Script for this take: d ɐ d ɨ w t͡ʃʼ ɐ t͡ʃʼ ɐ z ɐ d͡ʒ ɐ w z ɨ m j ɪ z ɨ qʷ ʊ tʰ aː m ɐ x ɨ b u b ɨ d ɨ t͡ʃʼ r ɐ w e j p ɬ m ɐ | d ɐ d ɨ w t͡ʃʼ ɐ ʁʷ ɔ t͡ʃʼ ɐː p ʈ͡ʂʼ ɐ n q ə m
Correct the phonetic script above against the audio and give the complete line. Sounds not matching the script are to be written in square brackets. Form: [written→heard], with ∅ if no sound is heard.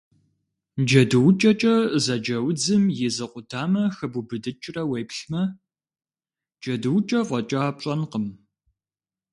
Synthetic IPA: [d→d͡ʒ] ɐ d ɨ w t͡ʃʼ ɐ t͡ʃʼ ɐ z ɐ d͡ʒ ɐ w [z→d͡z] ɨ m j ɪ z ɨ qʷ ʊ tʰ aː m ɐ x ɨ b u b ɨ d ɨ t͡ʃʼ r ɐ w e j p ɬ m ɐ | [d→d͡ʒ] ɐ d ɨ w t͡ʃʼ ɐ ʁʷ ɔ t͡ʃʼ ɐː p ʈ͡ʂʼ ɐ n q ə m